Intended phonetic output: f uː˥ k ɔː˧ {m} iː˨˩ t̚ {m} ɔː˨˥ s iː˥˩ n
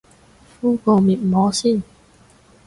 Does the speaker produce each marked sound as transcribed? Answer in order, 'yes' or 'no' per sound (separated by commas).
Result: yes, yes